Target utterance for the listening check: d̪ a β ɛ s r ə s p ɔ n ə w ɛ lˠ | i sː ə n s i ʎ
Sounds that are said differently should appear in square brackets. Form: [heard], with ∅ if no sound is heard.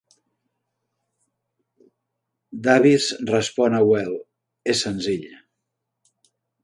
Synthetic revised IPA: d̪ a β [i] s r ə s p ɔ n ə w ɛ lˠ | [e] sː ə n [z] i ʎ